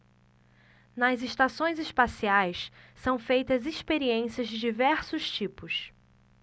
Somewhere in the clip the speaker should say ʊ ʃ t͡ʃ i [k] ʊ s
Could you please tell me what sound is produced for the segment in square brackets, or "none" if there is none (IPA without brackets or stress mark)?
p